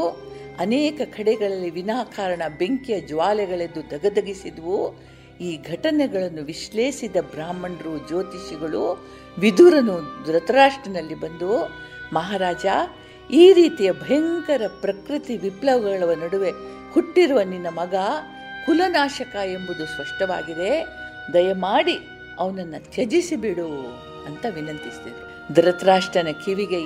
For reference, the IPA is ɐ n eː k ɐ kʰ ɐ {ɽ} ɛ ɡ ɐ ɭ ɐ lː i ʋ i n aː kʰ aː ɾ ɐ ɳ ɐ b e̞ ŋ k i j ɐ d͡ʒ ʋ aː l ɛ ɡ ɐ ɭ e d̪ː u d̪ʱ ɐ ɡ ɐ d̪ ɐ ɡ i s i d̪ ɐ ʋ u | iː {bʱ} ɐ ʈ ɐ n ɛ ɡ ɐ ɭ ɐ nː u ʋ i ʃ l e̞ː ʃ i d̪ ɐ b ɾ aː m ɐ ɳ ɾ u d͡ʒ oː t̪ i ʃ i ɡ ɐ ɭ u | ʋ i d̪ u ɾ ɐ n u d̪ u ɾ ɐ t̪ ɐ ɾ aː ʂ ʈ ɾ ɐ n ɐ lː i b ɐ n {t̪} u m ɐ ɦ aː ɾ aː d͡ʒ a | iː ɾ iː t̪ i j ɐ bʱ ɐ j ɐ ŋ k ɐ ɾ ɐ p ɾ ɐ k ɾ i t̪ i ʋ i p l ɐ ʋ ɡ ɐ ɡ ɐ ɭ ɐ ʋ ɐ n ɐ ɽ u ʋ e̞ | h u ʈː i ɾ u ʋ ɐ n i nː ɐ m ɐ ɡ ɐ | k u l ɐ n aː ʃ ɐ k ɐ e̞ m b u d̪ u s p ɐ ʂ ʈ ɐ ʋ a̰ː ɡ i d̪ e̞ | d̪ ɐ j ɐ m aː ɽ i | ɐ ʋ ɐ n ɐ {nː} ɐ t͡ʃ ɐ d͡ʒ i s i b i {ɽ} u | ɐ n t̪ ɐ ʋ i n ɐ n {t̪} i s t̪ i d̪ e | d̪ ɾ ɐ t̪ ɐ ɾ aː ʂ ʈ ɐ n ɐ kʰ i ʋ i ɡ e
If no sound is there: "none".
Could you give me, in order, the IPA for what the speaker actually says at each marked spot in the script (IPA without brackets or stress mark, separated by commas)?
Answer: ɽ, ɡʱ, d̪, nː, ɽ, t̪